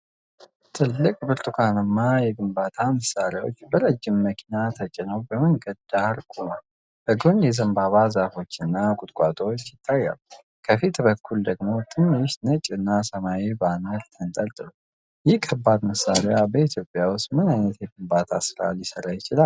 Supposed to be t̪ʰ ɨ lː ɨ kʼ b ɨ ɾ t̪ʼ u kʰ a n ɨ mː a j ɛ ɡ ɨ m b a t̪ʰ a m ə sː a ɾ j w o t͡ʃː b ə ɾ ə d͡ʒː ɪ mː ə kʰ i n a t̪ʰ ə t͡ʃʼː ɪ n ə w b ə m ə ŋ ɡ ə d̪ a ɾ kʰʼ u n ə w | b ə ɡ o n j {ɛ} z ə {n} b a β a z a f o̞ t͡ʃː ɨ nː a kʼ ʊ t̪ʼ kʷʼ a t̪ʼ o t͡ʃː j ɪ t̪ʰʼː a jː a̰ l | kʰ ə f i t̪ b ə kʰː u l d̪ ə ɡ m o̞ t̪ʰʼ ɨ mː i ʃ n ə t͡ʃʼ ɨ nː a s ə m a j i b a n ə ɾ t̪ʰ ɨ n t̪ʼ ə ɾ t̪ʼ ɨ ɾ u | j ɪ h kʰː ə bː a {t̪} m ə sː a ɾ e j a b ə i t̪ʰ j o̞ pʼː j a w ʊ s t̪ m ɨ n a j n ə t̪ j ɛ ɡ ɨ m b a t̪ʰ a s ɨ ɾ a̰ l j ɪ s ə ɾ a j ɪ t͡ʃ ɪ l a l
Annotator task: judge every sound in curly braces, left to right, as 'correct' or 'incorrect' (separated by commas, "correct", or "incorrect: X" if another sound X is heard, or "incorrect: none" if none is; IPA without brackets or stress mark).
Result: correct, incorrect: m, incorrect: d̪